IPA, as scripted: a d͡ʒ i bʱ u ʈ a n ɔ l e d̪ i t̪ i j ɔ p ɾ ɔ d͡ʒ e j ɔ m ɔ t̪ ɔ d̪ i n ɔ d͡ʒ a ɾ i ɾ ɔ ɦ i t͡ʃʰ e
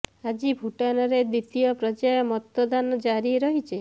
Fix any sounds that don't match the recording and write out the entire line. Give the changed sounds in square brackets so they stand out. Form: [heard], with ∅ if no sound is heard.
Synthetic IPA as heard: a d͡ʒ i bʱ u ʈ a n ɔ [ɾ] e d̪ i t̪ i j ɔ p ɾ ɔ d͡ʒ [a] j ɔ m ɔ t̪ ɔ d̪ [a] n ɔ d͡ʒ a ɾ i ɾ ɔ ɦ i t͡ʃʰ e